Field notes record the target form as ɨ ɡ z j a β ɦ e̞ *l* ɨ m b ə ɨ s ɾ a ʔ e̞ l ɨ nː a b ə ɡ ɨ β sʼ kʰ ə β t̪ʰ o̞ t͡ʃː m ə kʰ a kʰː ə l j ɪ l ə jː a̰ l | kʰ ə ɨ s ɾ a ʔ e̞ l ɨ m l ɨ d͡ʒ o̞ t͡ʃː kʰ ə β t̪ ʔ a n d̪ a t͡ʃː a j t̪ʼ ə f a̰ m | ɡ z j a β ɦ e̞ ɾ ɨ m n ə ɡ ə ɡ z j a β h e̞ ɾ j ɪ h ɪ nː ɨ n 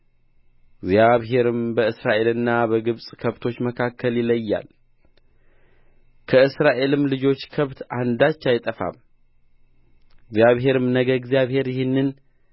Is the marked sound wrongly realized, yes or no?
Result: yes